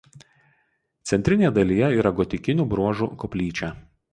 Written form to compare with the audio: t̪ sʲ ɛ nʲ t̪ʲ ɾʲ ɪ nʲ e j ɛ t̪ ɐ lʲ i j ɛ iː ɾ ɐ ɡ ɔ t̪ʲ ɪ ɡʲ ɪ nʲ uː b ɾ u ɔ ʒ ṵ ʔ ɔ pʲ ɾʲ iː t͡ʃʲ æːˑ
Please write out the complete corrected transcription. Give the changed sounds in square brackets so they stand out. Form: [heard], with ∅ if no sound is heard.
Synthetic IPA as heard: t̪ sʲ ɛ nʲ t̪ʲ ɾʲ ɪ nʲ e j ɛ [d̪] ɐ lʲ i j ɛ iː ɾ ɐ ɡ ɔ t̪ʲ ɪ [kʲ] ɪ nʲ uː b ɾ u ɔ ʒ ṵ [k] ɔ pʲ [lʲ] iː t͡ʃʲ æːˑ